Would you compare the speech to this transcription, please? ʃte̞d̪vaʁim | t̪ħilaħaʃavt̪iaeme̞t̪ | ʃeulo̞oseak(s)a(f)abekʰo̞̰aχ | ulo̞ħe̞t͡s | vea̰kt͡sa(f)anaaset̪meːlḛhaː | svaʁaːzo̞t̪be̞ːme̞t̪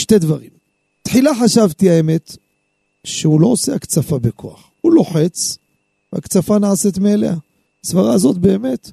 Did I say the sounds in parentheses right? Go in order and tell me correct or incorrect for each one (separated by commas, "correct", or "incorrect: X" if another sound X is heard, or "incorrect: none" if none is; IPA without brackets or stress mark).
incorrect: t͡s, correct, correct